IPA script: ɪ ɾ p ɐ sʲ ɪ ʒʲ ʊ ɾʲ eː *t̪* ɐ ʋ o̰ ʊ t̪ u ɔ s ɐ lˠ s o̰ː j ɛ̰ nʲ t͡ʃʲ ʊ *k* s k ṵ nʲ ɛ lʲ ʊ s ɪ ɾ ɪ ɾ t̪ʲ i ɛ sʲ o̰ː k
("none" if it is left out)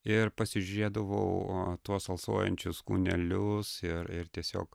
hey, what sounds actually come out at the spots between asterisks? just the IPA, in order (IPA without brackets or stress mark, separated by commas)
d̪, none